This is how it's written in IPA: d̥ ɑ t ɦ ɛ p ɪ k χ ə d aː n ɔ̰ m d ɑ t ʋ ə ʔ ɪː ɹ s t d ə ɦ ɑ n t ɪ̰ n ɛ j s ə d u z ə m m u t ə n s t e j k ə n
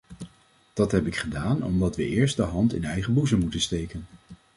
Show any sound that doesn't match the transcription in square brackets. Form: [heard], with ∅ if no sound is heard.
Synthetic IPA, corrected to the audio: d̥ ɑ t ɦ ɛ p ɪ k χ ə d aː n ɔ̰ m d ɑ t ʋ ə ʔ ɪː ɹ s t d ə ɦ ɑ n t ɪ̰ n ɛ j [χ] ə [b] u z ə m m u t ə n s t e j k ə n